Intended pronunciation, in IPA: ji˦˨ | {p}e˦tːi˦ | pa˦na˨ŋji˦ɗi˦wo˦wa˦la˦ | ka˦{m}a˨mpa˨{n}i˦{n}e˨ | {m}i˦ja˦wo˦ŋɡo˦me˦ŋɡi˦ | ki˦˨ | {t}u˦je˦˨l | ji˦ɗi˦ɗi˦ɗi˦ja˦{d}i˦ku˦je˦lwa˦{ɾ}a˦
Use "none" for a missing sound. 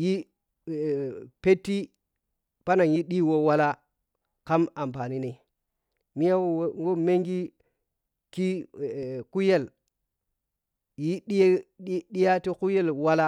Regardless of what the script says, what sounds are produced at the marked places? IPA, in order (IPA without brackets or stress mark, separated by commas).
p, m, n, n, m, k, t, l